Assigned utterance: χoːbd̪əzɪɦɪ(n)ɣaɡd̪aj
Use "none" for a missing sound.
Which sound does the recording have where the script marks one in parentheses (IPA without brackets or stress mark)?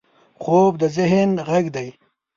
n